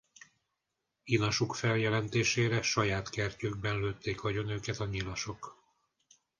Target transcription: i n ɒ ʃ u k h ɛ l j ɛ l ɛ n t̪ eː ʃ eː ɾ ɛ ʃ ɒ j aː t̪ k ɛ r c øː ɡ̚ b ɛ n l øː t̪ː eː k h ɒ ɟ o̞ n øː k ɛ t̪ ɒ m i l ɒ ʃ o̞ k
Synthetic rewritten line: i n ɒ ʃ u k f ɛ l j ɛ l ɛ n t̪ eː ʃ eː ɾ ɛ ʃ ɒ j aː t̪ k ɛ r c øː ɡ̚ b ɛ n l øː t̪ː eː k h ɒ ɟ o̞ n øː k ɛ t̪ ɒ ɲ i l ɒ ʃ o̞ k